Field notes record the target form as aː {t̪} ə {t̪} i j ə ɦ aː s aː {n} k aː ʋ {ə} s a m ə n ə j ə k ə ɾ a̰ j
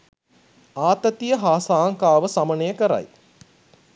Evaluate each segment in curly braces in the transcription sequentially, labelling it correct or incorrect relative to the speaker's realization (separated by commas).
correct, correct, incorrect, correct